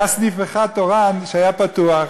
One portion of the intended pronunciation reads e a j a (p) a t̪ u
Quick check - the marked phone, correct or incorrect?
correct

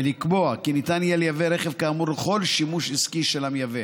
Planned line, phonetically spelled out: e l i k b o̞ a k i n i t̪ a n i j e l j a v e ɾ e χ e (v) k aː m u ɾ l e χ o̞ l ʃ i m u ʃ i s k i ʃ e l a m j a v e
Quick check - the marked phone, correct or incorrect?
correct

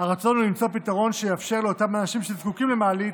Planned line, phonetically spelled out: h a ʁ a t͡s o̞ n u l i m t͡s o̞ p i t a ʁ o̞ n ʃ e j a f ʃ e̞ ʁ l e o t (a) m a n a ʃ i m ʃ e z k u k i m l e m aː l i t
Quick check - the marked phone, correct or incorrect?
correct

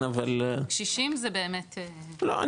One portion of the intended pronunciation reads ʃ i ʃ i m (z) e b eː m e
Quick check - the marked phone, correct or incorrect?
correct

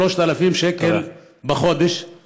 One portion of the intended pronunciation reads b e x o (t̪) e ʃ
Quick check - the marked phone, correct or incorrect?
incorrect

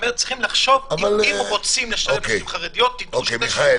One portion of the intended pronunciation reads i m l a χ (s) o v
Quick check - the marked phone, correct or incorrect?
incorrect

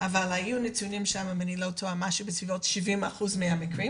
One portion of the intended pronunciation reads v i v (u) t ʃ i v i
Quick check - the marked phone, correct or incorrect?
incorrect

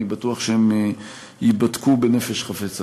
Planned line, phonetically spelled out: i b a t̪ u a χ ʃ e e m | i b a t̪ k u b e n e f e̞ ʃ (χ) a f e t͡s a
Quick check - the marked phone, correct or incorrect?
correct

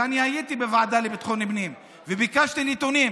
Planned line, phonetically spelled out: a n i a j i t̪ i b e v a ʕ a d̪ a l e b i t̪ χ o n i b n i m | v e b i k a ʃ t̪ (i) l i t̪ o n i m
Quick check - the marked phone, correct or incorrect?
correct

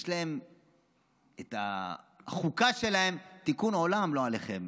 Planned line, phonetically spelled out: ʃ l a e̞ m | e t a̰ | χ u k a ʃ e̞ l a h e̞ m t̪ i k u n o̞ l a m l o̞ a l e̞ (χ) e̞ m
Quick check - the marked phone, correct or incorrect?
correct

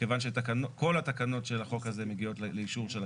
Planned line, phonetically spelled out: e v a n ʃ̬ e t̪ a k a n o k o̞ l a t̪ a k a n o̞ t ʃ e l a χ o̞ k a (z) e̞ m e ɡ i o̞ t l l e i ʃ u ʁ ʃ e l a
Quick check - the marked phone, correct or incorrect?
correct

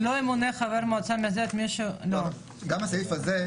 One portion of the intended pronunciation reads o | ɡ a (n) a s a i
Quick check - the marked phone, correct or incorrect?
incorrect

